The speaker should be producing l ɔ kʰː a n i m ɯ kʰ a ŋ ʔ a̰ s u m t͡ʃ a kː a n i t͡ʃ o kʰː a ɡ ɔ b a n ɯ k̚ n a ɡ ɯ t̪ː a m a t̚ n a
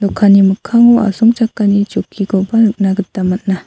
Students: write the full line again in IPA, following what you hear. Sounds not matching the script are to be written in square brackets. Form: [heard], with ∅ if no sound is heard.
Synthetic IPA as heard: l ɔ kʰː a n i m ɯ kʰ a ŋ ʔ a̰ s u m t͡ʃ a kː a n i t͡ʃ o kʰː [i] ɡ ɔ b a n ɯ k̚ n a ɡ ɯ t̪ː a m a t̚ n a